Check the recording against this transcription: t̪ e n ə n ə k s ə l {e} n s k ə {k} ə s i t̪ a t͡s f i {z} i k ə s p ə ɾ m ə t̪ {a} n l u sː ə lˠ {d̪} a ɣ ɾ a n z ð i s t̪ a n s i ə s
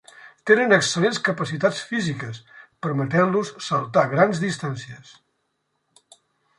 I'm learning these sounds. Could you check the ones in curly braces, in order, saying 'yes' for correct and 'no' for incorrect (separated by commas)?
yes, no, yes, no, no